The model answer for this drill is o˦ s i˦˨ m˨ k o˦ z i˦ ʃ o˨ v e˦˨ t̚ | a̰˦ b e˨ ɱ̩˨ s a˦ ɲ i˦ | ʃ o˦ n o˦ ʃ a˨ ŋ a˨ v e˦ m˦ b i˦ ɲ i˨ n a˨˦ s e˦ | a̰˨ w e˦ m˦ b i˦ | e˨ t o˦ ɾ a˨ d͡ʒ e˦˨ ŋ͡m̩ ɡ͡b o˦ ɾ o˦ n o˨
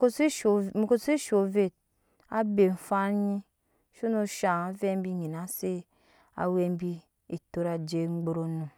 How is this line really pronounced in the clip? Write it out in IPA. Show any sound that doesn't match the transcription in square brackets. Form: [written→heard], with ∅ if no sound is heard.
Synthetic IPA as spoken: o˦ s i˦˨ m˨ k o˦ [z→s] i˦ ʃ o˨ v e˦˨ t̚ | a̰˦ b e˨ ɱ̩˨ [s→f] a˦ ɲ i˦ | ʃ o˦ n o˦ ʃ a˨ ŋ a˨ v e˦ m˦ b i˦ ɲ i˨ n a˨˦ s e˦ | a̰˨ w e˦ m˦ b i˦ | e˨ t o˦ ɾ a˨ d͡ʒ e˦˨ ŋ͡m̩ ɡ͡b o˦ ɾ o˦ n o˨